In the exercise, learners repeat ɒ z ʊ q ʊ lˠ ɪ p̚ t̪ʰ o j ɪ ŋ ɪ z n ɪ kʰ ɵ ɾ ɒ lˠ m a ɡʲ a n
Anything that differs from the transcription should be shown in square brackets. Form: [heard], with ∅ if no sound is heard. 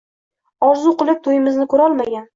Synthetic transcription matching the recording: ɒ z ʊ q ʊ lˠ ɪ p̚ t̪ʰ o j ɪ [m] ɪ z n ɪ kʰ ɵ ɾ ɒ lˠ m a ɡʲ a n